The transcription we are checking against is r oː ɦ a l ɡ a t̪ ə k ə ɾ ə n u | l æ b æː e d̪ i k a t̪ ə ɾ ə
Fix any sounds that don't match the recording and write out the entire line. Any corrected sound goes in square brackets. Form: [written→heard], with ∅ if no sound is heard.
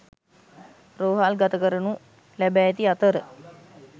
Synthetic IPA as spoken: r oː ɦ a l ɡ a t̪ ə k ə ɾ ə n u | l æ b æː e [d̪→t̪] i [k→∅] a t̪ ə ɾ ə

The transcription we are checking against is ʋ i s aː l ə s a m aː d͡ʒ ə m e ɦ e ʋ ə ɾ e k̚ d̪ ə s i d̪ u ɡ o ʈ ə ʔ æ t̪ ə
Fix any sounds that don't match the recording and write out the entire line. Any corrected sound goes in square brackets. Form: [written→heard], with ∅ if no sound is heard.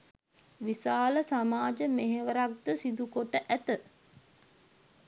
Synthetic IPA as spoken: ʋ i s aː l ə s a m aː d͡ʒ ə m e ɦ e ʋ ə ɾ [e→a] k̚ d̪ ə s i d̪ u [ɡ→k] o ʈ ə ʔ æ t̪ ə

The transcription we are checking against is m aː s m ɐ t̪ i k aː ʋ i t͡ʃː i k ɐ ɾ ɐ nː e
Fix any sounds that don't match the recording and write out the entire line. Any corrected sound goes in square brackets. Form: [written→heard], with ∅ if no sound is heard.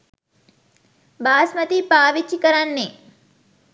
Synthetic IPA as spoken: [m→b] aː s m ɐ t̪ i [k→p] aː ʋ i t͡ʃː i k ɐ ɾ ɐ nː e

